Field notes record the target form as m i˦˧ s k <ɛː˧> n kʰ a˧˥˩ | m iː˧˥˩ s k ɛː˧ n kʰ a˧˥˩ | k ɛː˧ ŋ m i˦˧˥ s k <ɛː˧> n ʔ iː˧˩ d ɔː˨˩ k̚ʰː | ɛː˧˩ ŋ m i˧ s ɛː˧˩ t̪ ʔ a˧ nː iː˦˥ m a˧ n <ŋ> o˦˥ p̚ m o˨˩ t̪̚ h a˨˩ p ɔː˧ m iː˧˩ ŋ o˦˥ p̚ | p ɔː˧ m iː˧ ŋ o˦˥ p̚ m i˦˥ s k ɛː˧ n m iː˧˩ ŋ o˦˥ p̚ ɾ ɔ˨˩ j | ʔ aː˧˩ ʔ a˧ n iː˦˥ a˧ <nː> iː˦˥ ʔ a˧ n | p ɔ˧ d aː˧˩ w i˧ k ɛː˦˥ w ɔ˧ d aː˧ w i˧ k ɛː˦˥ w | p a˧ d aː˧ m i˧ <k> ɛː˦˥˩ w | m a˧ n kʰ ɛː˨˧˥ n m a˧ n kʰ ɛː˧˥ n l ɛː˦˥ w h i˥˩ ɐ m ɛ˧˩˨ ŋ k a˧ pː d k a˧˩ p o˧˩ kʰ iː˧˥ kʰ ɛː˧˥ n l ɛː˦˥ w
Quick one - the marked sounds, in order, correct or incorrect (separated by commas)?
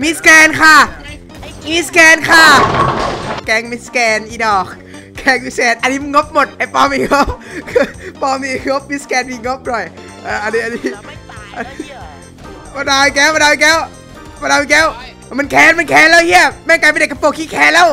correct, correct, correct, incorrect, correct